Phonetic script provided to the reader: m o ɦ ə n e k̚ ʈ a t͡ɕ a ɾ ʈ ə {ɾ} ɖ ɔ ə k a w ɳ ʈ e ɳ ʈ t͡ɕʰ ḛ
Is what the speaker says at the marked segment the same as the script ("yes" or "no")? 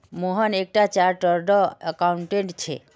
yes